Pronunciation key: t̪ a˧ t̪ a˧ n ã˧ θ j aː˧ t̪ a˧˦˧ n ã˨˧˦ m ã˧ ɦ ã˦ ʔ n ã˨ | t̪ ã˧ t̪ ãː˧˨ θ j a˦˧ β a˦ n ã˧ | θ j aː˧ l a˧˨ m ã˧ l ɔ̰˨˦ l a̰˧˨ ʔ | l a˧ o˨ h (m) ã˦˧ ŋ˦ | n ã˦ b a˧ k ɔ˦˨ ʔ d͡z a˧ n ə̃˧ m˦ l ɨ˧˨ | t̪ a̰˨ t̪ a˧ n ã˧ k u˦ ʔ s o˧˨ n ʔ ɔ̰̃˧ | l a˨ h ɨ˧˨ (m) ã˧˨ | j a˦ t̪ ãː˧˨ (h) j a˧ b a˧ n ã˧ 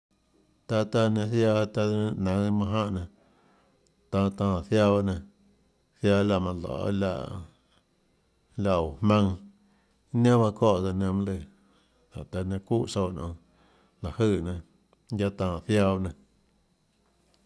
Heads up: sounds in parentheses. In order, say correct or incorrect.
correct, incorrect: n, incorrect: θ

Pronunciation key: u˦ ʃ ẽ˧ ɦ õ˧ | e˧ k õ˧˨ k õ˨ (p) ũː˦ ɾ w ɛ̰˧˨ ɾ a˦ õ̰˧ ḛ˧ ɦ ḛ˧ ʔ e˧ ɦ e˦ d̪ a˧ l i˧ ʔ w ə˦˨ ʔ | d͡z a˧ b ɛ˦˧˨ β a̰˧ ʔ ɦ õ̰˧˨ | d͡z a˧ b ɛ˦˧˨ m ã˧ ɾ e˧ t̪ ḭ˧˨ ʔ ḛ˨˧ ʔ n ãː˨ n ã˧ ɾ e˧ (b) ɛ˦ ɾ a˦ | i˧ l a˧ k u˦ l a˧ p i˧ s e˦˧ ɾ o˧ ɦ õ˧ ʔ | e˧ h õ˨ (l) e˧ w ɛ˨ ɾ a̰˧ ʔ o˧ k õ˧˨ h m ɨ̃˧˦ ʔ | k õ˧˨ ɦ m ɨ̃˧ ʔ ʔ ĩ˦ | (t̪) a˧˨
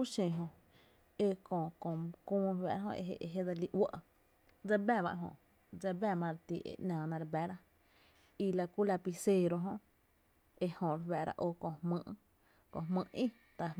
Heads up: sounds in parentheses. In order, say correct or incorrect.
incorrect: k, correct, incorrect: ɾ, correct

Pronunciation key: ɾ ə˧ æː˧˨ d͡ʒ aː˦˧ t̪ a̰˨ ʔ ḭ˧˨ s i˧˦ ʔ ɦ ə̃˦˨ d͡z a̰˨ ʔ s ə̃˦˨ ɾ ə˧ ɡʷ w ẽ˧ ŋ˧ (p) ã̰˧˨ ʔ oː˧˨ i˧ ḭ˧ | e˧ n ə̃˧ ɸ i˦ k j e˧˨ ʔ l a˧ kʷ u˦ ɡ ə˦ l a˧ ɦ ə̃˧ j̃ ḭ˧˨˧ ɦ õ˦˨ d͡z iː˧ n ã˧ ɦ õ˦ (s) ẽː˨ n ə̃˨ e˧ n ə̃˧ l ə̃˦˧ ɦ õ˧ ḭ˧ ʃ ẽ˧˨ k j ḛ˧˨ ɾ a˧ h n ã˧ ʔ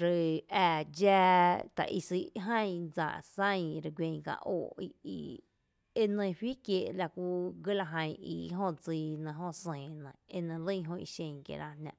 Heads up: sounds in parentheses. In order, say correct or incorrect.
incorrect: k, correct

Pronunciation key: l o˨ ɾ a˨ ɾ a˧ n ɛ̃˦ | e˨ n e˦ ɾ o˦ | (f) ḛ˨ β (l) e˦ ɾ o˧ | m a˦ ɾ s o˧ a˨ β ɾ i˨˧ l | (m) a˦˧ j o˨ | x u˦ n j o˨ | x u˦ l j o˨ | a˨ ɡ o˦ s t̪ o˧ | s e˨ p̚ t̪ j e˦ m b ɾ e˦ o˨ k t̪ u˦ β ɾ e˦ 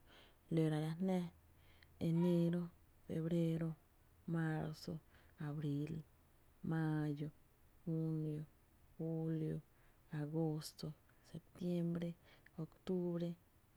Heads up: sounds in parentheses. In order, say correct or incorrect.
correct, incorrect: ɾ, correct

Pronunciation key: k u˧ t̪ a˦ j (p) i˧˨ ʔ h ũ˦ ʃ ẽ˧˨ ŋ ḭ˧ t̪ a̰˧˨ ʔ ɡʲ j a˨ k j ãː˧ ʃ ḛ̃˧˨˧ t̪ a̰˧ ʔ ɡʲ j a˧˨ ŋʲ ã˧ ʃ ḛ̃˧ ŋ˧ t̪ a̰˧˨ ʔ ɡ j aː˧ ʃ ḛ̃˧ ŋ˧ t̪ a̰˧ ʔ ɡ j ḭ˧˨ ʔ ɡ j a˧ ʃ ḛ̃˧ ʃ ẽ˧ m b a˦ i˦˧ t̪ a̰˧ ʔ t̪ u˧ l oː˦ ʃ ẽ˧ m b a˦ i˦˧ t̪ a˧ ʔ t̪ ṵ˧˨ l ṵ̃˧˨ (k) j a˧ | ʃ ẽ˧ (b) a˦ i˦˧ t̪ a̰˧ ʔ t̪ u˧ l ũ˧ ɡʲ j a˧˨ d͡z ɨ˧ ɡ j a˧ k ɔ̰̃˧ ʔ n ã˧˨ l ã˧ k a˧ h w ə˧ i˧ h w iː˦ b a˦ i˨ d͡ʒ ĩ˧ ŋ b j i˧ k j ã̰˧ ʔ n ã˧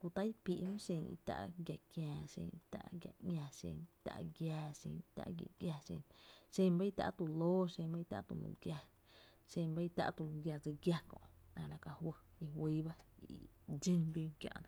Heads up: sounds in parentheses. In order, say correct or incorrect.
correct, incorrect: ɡ, correct

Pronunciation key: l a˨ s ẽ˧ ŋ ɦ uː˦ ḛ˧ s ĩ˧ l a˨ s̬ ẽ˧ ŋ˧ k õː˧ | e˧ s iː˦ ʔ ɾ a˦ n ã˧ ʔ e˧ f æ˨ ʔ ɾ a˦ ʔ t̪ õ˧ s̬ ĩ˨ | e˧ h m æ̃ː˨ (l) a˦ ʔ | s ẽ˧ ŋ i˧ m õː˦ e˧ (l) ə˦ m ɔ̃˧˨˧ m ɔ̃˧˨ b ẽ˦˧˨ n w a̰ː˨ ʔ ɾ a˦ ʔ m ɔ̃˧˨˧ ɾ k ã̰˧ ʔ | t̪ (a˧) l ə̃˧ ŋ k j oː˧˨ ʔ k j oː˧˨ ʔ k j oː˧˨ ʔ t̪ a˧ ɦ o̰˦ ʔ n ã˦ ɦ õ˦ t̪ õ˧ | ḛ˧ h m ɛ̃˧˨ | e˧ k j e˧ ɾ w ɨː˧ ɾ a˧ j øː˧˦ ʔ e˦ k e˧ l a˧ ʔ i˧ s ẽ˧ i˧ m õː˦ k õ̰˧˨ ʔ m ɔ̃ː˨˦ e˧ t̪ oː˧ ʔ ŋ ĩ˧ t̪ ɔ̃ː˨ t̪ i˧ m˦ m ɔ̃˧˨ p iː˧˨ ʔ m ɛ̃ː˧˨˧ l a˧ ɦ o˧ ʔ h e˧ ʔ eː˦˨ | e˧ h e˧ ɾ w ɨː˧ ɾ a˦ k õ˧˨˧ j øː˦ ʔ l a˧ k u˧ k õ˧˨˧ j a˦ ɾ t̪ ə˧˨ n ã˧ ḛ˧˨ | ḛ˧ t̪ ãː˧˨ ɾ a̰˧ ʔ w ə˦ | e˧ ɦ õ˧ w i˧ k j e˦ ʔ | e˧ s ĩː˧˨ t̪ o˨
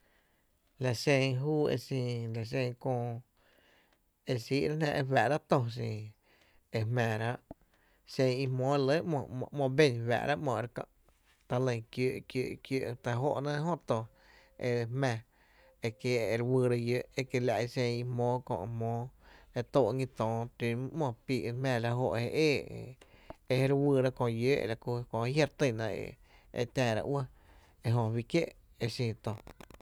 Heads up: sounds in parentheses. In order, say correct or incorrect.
incorrect: ɾ, correct, correct

